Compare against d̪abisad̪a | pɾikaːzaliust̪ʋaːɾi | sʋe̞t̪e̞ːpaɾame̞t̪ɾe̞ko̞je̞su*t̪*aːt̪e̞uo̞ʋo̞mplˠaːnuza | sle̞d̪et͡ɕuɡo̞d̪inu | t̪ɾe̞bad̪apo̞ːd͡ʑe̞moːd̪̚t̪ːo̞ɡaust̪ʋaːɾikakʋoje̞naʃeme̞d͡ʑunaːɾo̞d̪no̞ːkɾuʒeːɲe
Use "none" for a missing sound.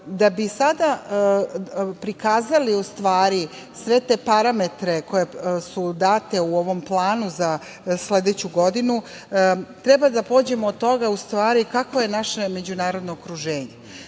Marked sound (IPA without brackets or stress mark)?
d̪